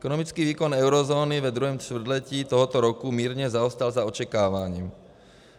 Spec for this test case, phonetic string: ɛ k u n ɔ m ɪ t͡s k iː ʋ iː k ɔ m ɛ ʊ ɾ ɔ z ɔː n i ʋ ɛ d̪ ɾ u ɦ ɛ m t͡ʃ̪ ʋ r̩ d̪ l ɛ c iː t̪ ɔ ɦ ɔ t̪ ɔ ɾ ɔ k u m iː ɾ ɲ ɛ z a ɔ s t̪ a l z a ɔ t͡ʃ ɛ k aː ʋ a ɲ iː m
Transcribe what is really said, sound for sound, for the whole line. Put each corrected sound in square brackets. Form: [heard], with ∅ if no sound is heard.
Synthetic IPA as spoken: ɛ k [ɔ] n ɔ m [i] t͡s k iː ʋ iː k ɔ [n] ɛ ʊ ɾ ɔ z ɔː n i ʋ ɛ d̪ ɾ u ɦ ɛ m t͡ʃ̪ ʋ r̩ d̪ l ɛ c iː t̪ ɔ ɦ ɔ t̪ ɔ ɾ ɔ k u m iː ɾ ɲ ɛ z a ɔ s t̪ a l z a ɔ t͡ʃ ɛ k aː ʋ a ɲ iː m